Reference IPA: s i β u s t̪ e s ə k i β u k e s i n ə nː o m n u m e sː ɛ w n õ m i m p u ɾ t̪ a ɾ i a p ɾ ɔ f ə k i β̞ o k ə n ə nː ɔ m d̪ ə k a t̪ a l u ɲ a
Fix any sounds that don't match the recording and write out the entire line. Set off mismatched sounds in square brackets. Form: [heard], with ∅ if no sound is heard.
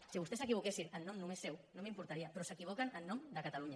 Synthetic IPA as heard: s i β u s t̪ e s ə k i β u k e s i n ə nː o m n u m e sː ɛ w n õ m i m p u ɾ t̪ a ɾ i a p ɾ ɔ [s] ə k i β̞ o k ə n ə nː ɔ m d̪ ə k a t̪ a l u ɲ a

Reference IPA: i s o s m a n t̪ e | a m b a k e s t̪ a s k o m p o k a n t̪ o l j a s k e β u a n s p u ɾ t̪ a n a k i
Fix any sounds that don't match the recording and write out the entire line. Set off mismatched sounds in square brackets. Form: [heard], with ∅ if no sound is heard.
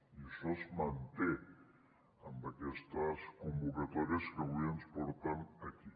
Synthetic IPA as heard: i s o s m a n t̪ e | a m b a k e s t̪ a s k o m [b] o k a [∅] t̪ o [ɾ] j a s k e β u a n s p [o] ɾ t̪ a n a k i

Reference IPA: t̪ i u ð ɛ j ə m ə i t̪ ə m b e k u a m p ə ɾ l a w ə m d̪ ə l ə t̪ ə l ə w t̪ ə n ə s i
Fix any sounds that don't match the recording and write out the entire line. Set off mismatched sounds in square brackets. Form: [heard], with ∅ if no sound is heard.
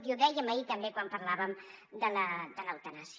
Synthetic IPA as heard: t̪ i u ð ɛ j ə m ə i t̪ ə m b e k [w] a m p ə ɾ l a [β] ə m d̪ ə l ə [d̪] ə l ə w t̪ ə n [a] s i

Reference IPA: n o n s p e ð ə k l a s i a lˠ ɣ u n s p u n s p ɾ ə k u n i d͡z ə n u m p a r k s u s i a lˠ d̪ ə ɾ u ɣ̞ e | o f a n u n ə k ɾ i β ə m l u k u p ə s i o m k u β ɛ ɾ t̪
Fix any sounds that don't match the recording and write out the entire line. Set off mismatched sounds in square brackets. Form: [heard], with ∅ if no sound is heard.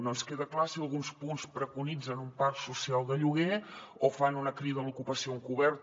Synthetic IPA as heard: n o n s [k] e ð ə k l a s i [ə] lˠ ɣ u n s p u n s p ɾ ə k u n i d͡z ə n u m p a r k s u s i a lˠ d̪ ə [ʎ] u ɣ̞ e | o f a n u n ə k ɾ i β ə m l u k u p ə s i o [ŋ] k u β ɛ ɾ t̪

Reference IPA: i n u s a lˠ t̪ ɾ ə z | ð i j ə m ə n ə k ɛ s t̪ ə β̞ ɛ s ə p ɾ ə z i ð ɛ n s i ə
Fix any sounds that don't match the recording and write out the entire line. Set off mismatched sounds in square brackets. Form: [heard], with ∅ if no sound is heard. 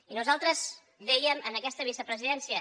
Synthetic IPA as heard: i n u [z] a lˠ t̪ ɾ ə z | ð [ɛ] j ə m ə n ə k ɛ s t̪ ə β̞ [i] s ə p ɾ ə z i ð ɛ n s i ə

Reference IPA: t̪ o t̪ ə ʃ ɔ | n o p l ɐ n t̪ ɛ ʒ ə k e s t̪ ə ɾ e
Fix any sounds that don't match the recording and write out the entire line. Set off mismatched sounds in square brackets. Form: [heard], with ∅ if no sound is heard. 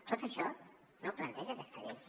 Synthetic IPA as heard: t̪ o t̪ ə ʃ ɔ | n o p l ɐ n t̪ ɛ ʒ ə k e s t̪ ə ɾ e

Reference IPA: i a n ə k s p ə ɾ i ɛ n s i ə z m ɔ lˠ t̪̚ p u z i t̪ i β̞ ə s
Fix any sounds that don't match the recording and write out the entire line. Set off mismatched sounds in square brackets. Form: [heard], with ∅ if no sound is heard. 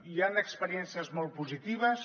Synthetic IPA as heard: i a n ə k s p ə ɾ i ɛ n s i ə z m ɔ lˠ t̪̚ p u z i t̪ i β̞ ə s

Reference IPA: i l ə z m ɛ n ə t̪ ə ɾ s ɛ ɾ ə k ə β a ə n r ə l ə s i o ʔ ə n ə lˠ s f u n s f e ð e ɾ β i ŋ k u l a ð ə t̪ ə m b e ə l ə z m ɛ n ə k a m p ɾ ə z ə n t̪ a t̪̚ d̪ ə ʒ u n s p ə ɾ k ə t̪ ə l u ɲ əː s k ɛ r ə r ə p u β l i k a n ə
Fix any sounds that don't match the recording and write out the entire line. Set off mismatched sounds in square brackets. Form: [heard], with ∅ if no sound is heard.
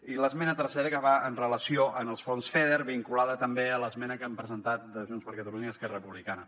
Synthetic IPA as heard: i l ə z m ɛ n ə t̪ ə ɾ s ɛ ɾ ə k ə β a ə n r ə l ə s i o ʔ ə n ə lˠ s f [o] n s f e ð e ɾ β i ŋ k u l a ð ə t̪ ə m b e ə l ə z m ɛ n ə k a m p ɾ ə z ə n t̪ a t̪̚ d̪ ə ʒ u n s p ə ɾ k ə t̪ ə l u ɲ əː s k ɛ r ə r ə p u β l i k a n ə

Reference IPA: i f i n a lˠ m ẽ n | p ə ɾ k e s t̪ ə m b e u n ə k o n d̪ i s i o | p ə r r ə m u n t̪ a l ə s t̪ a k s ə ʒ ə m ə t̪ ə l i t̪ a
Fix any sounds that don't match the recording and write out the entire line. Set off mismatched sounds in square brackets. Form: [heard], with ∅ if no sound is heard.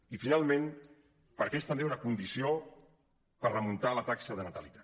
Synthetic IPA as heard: i f i n a lˠ m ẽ n | p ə ɾ k e s t̪ ə m b e u n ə k [u] n d̪ i s i o | p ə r r ə m u n t̪ a l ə [∅] t̪ a k s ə [ð] ə [n] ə t̪ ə l i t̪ a

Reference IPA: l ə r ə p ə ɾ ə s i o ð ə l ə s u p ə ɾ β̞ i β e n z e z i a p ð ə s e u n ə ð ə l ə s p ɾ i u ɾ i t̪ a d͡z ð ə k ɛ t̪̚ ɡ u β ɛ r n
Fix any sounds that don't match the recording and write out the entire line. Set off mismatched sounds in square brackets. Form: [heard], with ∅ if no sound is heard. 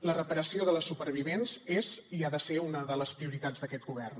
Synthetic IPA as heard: l ə r ə p ə ɾ ə s i o ð ə l ə s u p ə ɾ β̞ i β e n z e z i a [∅] ð ə s e u n ə ð ə l ə s p ɾ i u ɾ i t̪ a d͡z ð ə k ɛ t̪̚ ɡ u β ɛ r n

